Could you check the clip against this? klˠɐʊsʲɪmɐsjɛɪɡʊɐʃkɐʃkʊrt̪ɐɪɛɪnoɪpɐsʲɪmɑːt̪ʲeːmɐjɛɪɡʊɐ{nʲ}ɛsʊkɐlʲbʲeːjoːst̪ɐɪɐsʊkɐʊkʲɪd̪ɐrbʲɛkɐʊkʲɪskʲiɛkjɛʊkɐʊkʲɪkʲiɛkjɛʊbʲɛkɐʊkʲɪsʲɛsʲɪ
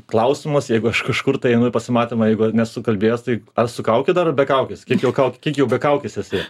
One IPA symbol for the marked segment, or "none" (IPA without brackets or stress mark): nʲ